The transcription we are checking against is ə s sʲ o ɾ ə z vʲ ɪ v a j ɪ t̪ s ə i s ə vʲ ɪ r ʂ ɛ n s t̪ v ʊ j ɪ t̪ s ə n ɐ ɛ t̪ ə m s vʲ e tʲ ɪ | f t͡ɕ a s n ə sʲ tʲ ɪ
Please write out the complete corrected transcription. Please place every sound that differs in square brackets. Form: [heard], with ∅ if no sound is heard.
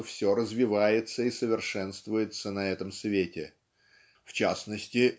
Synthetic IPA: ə [f] sʲ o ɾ ə z vʲ ɪ v a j ɪ t̪ s ə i s ə vʲ ɪ r ʂ ɛ n s t̪ v ʊ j ɪ t̪ s ə n ɐ ɛ t̪ ə m s vʲ e tʲ ɪ | f t͡ɕ a s n ə sʲ tʲ ɪ